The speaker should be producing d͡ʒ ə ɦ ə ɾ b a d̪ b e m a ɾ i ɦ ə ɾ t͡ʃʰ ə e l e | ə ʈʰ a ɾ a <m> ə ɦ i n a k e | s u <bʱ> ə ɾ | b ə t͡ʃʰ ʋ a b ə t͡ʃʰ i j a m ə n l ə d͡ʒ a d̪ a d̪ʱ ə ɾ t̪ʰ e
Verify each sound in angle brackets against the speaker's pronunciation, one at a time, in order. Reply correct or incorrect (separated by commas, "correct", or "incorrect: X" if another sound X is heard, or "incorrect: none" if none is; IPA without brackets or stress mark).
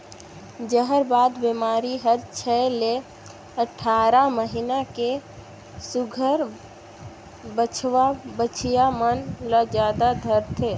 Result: correct, incorrect: ɡʱ